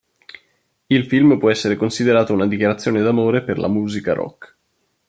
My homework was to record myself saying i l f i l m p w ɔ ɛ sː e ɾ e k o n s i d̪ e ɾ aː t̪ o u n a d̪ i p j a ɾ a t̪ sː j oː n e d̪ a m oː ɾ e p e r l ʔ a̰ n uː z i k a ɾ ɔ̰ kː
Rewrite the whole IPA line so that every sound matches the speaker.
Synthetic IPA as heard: i l f i l m p w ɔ ɛ sː e ɾ e k o n s i d̪ e ɾ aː t̪ o u n a d̪ i k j a ɾ a t̪ sː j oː n e d̪ a m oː ɾ e p e r l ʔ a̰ m uː z i k a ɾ ɔ̰ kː

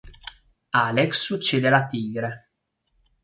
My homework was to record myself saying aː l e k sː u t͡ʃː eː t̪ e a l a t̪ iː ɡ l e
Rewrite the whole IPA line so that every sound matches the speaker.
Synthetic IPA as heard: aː l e k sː u t͡ʃː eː d̪ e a l a t̪ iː ɡ ɾ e

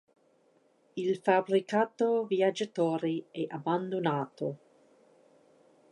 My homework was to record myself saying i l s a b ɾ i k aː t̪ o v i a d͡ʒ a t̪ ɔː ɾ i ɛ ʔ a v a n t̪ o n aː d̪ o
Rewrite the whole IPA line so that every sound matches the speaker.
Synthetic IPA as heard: i l f a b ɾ i k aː t̪ o v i a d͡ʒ a t̪ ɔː ɾ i ɛ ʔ a b a n d̪ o n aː t̪ o

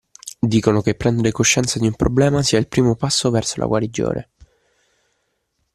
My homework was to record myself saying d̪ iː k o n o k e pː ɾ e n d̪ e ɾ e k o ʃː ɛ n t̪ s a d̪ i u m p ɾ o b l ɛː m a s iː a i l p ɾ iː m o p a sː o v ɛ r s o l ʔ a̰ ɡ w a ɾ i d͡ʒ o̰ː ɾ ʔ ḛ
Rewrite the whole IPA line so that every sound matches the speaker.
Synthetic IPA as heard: d̪ iː k o n o k e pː ɾ ɛ n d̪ e ɾ e k o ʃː ɛ n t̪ s a d̪ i u m p ɾ o b l ɛː m a s iː a i l p ɾ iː m o p a sː o v ɛ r s o l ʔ a̰ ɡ w a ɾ i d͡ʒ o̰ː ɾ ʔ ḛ

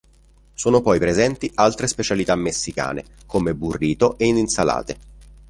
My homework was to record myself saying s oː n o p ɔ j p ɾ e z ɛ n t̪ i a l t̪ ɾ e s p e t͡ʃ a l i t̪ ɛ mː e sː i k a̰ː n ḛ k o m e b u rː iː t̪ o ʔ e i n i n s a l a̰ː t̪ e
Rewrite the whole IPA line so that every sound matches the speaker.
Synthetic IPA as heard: s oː n o p ɔ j p ɾ e z ɛ n t̪ i a l t̪ ɾ e s p e t͡ʃ a l i t̪ a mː e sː i k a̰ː n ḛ k o m e b u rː iː t̪ o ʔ e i n i n s a l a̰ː t̪ e

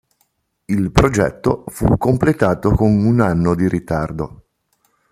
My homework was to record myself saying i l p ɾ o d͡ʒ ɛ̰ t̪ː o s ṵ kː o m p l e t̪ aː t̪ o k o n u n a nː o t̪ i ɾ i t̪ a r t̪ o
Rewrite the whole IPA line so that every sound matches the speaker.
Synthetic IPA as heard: i l p ɾ o d͡ʒ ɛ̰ t̪ː o f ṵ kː o m p l e t̪ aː t̪ o k o n u n a nː o d̪ i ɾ i t̪ a r d̪ o

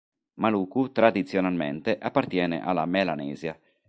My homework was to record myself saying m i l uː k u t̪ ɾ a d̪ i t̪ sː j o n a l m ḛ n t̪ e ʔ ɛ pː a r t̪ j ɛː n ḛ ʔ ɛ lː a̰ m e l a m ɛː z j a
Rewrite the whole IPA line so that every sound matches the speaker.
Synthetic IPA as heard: m a l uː k u t̪ ɾ a d̪ i t̪ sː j o n a l m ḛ n t̪ e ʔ a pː a r t̪ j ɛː n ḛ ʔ a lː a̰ m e l a n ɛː z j a

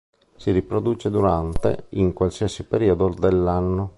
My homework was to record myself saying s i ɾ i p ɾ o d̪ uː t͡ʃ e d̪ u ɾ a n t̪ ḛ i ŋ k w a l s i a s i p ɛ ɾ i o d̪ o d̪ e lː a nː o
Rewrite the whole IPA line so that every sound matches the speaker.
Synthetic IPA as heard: s i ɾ i p ɾ o d̪ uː t͡ʃ e d̪ u ɾ a n t̪ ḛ i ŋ k w a l s i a s i p e ɾ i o d̪ o d̪ e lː a nː o

